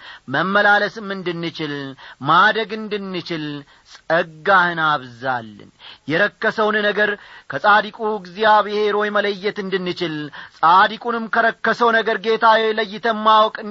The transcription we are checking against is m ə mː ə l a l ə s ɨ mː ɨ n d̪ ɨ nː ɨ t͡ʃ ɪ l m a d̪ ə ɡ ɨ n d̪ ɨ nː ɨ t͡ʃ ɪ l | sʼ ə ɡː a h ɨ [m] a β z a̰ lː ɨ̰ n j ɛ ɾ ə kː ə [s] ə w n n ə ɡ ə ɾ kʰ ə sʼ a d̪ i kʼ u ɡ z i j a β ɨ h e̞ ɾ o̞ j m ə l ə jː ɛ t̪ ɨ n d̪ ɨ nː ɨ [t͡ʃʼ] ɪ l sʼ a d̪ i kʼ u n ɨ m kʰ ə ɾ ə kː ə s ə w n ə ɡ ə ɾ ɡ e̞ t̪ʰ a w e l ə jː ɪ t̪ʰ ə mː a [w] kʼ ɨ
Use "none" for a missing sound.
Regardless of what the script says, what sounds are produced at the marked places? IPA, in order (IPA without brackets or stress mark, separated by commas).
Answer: n, s, t͡ʃ, w